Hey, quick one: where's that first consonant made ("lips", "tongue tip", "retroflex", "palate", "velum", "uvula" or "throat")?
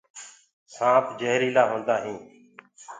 tongue tip